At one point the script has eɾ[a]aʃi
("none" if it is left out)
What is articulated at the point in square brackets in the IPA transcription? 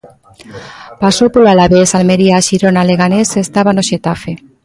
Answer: i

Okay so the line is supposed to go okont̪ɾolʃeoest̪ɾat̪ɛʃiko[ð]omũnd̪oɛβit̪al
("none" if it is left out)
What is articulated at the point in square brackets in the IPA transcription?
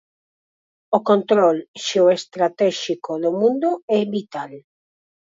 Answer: ð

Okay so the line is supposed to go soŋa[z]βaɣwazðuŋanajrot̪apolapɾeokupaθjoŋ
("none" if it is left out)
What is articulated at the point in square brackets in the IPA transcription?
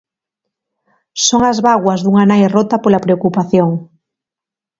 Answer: z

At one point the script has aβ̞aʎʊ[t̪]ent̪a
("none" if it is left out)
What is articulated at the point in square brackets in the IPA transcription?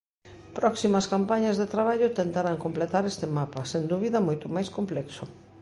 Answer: t̪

